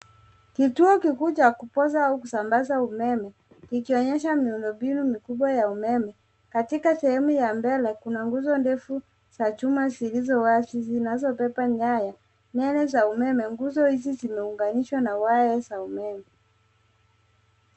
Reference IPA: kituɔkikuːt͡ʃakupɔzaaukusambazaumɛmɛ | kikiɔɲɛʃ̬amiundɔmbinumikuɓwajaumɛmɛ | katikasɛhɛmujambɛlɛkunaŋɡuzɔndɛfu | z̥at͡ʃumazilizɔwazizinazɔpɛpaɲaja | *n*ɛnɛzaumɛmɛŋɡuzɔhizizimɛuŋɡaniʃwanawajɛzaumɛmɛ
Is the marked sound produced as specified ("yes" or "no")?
yes